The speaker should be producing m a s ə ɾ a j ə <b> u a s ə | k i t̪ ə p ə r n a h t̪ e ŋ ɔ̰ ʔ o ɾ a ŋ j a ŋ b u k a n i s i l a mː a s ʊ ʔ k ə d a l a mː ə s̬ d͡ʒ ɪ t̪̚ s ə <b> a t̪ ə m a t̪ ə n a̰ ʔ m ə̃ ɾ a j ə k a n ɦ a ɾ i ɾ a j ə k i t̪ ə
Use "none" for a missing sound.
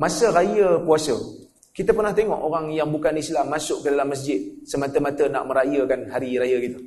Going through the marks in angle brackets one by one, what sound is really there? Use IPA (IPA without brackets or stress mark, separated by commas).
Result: p, m